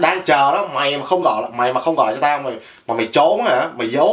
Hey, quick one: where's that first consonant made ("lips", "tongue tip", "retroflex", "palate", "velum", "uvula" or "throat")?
tongue tip